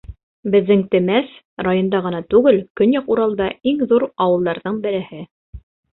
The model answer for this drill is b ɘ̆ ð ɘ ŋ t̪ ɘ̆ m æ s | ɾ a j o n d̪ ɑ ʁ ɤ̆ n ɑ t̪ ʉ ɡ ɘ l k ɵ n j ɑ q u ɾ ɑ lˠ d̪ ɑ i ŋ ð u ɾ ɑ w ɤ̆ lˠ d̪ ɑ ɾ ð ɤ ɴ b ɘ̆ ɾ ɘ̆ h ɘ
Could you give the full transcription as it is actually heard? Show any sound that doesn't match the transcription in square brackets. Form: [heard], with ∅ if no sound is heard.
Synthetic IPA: b ɘ̆ [ðː] ɘ ŋ t̪ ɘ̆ m æ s | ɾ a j o n d̪ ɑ ʁ ɤ̆ n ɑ t̪ ʉ ɡ ɘ l k ɵ n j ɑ q u ɾ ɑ lˠ d̪ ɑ i ŋ ð u ɾ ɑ w ɤ̆ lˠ d̪ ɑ ɾ ð ɤ ɴ b ɘ̆ ɾ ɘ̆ h ɘ